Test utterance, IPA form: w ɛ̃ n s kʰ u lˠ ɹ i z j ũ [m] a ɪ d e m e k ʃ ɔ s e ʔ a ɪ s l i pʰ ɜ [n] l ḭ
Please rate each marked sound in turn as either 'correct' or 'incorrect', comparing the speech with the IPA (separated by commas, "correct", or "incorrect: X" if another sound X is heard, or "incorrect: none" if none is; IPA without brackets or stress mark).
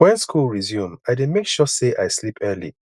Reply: correct, incorrect: none